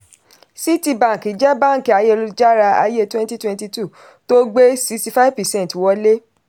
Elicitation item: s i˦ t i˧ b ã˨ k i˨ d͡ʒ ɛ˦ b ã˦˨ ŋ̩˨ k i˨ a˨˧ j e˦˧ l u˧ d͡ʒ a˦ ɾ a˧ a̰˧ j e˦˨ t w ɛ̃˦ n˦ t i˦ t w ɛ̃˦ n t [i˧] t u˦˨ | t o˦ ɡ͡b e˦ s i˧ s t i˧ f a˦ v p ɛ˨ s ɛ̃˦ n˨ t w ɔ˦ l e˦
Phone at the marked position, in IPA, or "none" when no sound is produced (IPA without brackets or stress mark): i˧